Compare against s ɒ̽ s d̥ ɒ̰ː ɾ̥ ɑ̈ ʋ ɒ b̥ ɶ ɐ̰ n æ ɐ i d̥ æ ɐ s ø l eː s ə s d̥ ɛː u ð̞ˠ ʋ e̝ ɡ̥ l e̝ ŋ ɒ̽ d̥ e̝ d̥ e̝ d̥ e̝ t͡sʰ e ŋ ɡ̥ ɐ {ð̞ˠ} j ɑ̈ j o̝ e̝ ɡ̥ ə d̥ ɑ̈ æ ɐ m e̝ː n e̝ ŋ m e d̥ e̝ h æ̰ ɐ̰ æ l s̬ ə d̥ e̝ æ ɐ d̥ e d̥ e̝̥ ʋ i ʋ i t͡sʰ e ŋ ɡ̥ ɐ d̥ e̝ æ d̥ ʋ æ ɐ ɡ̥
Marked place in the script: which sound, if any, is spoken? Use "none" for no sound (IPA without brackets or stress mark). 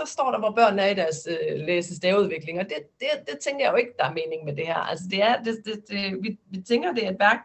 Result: none